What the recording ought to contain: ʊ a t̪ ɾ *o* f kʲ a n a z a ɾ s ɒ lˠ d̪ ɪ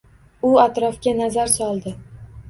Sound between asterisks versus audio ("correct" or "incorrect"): incorrect